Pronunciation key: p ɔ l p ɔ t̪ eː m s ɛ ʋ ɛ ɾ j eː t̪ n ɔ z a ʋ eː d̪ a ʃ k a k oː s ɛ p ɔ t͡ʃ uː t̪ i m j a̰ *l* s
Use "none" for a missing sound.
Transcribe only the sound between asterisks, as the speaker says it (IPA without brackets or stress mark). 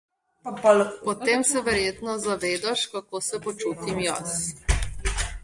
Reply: none